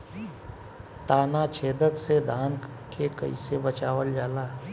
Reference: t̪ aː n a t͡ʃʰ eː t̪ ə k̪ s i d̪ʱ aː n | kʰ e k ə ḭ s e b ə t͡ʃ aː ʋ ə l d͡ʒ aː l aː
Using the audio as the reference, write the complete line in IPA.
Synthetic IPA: t̪ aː n a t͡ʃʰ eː d̪ ə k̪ s e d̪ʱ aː n | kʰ e k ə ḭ s e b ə t͡ʃ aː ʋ ə l d͡ʒ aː l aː